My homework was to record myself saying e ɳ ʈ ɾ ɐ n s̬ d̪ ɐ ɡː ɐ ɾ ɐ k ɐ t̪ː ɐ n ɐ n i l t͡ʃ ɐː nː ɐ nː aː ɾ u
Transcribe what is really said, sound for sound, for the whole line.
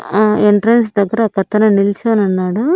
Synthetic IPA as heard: e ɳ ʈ ɾ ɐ n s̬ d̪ ɐ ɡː ɐ ɾ ɐ k ɐ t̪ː ɐ n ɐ n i l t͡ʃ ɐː n ɐ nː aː ɽ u